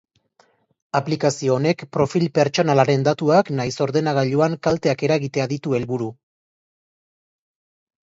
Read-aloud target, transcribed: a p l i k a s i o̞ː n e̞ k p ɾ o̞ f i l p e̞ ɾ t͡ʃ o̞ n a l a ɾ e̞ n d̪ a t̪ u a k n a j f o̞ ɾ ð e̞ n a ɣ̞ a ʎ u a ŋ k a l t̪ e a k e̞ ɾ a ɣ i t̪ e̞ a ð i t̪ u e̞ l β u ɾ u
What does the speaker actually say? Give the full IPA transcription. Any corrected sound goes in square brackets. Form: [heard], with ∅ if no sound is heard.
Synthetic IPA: a p l i k a s i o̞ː n e̞ k p ɾ o̞ f i l p e̞ ɾ t͡ʃ o̞ n a l a ɾ e̞ n d̪ a t̪ u a k n a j [s] o̞ ɾ ð e̞ n a ɣ̞ a ʎ u a ŋ k a l t̪ e a k e̞ ɾ a ɣ i t̪ e̞ a ð i t̪ u e̞ l β u ɾ u